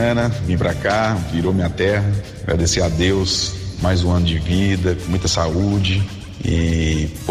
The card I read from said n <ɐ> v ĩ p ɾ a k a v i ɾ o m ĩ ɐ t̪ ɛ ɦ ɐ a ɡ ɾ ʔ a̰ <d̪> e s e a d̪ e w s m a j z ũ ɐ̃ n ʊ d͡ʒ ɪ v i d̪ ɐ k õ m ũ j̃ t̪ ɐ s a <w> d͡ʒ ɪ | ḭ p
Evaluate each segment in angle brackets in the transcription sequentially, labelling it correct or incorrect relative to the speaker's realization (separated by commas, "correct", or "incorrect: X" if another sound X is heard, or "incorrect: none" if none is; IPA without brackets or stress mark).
correct, correct, incorrect: u